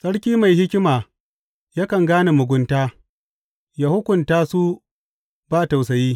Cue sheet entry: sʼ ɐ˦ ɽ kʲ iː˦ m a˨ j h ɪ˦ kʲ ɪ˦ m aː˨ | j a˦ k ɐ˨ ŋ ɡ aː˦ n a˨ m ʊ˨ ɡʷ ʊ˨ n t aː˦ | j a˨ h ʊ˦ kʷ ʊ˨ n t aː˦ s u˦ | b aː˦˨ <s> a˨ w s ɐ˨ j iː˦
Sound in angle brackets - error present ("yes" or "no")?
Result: yes